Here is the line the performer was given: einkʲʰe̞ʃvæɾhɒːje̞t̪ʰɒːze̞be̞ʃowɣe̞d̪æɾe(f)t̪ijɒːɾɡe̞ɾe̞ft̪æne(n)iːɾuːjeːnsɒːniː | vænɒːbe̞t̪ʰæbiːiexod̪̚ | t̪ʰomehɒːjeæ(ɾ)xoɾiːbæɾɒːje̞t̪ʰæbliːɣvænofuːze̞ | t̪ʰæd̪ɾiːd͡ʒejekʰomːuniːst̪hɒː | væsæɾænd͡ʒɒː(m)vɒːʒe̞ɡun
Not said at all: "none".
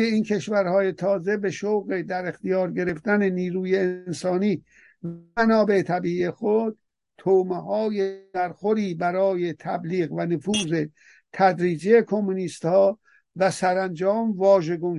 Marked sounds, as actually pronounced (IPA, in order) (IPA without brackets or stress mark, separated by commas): x, n, ɾ, m